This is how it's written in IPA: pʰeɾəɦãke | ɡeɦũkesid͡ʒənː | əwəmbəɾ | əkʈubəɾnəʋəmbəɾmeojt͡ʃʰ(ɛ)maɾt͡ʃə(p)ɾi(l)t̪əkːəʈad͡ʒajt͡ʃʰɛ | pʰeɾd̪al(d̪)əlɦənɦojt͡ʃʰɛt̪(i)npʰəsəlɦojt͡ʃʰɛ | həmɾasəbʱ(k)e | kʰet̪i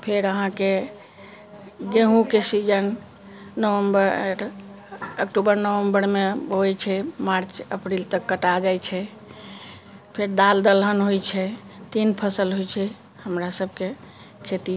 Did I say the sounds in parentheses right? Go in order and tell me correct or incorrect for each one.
correct, correct, correct, correct, correct, correct

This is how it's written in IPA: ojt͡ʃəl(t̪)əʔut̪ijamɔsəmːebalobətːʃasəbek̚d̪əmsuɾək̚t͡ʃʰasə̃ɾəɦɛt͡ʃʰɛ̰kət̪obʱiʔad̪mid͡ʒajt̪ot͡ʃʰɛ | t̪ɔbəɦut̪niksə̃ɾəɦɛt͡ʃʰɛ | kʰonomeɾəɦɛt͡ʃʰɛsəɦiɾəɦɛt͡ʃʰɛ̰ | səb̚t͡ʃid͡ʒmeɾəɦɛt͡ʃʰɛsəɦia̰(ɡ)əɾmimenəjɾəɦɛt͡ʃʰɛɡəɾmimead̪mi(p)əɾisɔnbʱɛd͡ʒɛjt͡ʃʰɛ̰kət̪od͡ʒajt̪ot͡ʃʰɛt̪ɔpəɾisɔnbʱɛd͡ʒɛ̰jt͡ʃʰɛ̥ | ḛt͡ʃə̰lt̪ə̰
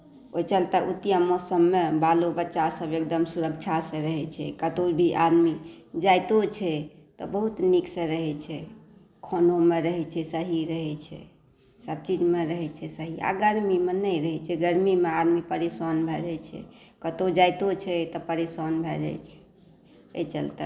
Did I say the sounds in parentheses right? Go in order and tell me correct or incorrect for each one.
correct, correct, correct

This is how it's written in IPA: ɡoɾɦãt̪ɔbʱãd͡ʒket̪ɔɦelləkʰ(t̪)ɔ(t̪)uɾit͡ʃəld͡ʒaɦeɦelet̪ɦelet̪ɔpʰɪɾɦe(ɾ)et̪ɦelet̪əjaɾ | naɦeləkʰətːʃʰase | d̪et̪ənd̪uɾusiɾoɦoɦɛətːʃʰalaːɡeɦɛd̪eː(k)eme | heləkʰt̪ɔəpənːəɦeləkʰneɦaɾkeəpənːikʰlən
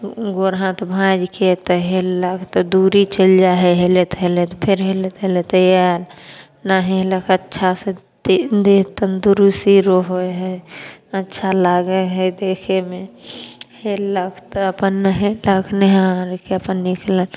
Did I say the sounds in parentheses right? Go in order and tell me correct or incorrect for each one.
correct, incorrect: d̪, incorrect: l, incorrect: kʰ

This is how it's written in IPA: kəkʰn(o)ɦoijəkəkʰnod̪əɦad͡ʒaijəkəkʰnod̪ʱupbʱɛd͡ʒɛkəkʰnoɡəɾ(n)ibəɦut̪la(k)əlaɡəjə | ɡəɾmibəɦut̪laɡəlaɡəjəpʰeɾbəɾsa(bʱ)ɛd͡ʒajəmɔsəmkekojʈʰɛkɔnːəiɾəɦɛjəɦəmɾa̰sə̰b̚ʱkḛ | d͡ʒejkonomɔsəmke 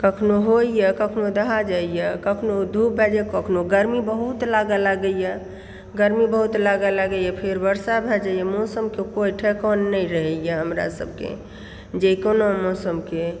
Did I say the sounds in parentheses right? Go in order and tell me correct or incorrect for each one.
correct, incorrect: m, incorrect: ɡ, correct

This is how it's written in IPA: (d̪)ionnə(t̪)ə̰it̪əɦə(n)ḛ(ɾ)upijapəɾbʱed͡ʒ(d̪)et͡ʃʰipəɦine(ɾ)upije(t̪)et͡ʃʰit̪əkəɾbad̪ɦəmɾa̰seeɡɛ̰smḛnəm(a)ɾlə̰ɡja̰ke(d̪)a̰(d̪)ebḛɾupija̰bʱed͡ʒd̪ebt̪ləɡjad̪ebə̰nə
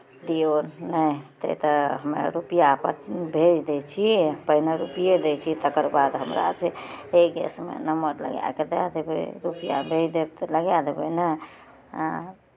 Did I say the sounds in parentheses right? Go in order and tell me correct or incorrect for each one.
correct, correct, incorrect: m, correct, correct, correct, incorrect: d̪, incorrect: ə, correct, correct

